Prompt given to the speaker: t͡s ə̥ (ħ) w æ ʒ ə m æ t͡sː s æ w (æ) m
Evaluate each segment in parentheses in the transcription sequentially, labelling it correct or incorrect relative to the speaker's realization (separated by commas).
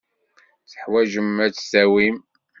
correct, incorrect